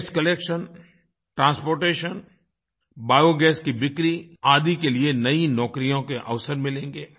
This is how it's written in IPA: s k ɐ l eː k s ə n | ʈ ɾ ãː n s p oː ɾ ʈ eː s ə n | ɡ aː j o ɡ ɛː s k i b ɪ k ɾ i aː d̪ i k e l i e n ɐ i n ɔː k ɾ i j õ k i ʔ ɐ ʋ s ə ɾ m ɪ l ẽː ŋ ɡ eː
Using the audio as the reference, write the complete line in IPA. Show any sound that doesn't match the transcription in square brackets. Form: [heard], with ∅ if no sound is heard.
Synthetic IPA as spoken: s k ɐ l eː k [ʃ] ə n | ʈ ɾ ãː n s p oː ɾ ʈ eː [ʃ] ə n | [b] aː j o ɡ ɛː s k i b ɪ k ɾ i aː d̪ i k e l i e n ɐ i n ɔː k ɾ i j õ k [e] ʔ ɐ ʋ s ə ɾ m ɪ l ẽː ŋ ɡ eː